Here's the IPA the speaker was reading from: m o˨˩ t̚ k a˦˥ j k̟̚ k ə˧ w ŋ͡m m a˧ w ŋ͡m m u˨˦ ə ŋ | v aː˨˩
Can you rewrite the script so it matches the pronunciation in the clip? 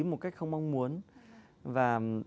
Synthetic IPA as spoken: m o˨˩ t̚ k a˦˥ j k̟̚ x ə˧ w ŋ͡m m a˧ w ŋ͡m m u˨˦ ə n | v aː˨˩